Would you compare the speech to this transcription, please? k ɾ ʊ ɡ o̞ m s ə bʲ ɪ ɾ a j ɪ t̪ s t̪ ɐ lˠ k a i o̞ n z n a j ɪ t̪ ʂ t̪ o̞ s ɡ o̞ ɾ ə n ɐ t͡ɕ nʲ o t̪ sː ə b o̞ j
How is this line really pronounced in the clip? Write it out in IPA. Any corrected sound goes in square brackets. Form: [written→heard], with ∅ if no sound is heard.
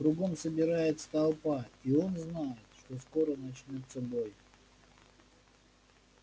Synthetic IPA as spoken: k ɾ ʊ ɡ o̞ m s ə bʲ ɪ ɾ a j ɪ t̪ s t̪ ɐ lˠ [k→p] a i o̞ n z n a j ɪ t̪ ʂ t̪ o̞ s [ɡ→k] o̞ ɾ ə n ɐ t͡ɕ nʲ o t̪ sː ə b o̞ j